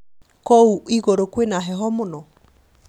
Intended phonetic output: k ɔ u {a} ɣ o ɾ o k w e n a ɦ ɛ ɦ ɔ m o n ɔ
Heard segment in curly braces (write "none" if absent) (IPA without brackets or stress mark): i